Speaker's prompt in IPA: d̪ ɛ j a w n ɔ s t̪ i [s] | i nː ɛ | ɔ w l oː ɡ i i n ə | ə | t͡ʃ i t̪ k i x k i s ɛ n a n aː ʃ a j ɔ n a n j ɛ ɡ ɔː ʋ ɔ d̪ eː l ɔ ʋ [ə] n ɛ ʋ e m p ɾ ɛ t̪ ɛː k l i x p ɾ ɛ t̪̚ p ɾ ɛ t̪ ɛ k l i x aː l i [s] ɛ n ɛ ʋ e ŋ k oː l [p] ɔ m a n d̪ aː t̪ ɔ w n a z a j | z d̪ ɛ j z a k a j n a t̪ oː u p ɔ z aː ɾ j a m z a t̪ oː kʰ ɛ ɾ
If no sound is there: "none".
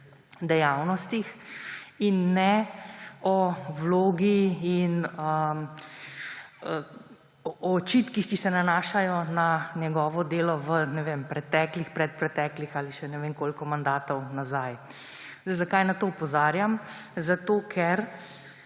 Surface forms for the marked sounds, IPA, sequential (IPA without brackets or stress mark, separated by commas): x, ə, ʃ, k